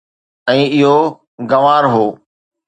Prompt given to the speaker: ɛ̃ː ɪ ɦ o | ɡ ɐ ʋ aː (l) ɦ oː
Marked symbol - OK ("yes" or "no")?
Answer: no